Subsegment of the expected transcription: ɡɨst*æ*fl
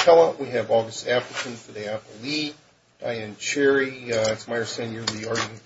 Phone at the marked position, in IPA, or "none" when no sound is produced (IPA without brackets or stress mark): æ